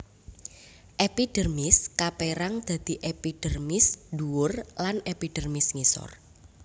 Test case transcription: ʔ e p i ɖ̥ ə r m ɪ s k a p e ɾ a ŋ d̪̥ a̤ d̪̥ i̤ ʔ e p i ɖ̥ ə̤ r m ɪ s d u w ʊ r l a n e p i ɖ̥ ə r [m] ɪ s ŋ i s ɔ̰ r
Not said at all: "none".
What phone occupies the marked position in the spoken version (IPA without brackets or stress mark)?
m